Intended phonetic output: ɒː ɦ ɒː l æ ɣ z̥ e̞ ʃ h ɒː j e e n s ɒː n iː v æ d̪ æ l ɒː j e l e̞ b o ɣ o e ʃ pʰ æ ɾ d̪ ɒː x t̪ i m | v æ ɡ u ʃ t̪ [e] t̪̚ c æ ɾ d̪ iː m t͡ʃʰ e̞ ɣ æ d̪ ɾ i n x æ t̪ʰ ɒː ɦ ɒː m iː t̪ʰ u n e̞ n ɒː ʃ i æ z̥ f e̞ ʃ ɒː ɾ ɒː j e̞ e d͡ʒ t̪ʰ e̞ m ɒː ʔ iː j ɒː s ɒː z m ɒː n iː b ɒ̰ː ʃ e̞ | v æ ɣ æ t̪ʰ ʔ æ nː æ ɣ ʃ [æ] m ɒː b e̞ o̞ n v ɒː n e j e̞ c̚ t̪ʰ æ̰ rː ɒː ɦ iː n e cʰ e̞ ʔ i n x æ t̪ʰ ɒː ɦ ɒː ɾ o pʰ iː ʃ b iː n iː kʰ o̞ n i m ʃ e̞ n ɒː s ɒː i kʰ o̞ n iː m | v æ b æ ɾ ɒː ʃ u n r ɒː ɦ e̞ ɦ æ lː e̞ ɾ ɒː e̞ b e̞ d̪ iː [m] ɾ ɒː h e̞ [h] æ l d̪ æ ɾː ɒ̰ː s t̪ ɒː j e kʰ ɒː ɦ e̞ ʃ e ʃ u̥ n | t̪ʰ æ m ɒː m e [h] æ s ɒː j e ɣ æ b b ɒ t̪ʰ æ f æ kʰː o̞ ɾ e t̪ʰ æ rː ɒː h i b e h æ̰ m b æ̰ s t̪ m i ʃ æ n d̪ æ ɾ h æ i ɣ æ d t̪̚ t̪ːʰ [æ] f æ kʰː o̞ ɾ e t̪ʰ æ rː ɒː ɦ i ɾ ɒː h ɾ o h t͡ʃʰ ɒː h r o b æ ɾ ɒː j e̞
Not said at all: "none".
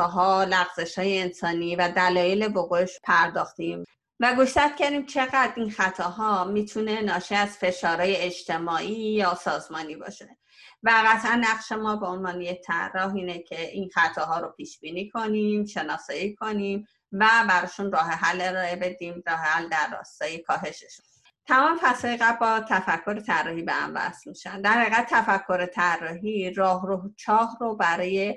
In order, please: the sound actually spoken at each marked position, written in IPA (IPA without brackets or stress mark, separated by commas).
æ, e, m, h, f, æ